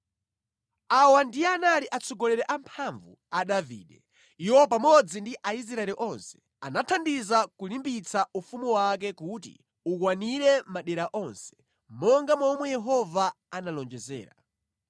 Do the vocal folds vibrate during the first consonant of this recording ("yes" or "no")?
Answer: yes